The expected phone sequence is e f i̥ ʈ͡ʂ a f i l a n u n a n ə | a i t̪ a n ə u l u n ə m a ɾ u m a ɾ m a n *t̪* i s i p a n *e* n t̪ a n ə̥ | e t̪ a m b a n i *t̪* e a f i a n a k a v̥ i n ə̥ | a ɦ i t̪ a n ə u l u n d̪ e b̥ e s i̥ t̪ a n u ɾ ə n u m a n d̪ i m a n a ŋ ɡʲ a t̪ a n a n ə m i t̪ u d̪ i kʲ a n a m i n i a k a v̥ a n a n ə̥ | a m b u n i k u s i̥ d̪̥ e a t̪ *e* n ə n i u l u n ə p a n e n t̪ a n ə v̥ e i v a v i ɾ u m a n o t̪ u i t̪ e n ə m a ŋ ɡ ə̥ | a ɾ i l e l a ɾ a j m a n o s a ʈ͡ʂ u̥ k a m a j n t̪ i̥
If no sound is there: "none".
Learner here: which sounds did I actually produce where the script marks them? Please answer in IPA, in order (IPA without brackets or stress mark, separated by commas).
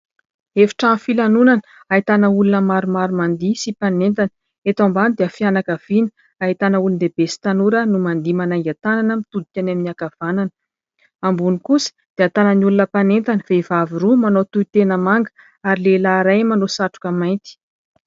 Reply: d̪, e, d̪, a